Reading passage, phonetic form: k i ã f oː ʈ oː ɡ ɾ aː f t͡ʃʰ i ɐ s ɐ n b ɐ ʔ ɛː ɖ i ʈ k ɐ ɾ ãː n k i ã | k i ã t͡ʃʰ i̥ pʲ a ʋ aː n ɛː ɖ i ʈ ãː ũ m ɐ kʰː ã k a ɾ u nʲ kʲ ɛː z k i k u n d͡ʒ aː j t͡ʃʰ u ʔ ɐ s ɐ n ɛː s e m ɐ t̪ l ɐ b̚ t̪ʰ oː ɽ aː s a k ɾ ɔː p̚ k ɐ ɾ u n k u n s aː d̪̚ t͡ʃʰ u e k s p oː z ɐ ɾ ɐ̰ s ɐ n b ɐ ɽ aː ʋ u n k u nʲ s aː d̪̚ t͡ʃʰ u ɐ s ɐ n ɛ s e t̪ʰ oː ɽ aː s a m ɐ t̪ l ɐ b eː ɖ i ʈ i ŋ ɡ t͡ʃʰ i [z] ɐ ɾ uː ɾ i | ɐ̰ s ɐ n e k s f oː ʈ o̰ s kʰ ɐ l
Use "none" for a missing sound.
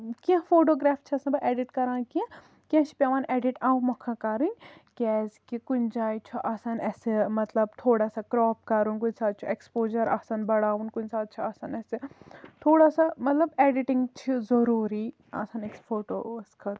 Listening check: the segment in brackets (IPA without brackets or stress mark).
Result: z